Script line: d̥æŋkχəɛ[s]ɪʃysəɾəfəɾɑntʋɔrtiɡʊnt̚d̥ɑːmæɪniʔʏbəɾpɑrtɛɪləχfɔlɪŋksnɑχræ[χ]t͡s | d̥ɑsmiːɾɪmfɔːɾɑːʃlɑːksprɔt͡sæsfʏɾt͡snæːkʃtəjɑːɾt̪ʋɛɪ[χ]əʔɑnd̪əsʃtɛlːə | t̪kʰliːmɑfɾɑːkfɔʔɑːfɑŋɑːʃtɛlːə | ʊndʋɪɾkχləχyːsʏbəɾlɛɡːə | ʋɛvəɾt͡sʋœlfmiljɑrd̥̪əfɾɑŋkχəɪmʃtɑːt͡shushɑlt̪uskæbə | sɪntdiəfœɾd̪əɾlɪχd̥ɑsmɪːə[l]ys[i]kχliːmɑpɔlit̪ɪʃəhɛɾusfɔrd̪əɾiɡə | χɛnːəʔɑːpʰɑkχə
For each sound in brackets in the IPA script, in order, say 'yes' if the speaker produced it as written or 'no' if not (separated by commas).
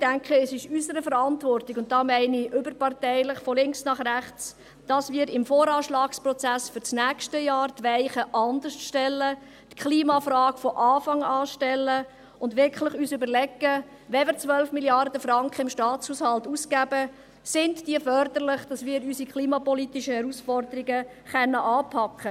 yes, yes, yes, no, yes